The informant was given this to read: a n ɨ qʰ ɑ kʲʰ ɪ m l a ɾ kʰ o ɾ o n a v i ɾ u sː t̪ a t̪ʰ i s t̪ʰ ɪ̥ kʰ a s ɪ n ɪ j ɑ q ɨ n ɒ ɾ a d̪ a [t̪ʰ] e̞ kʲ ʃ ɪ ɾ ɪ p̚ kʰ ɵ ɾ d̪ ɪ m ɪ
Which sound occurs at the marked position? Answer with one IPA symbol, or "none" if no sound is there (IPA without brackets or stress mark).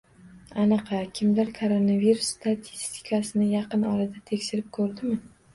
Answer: t̪ʰ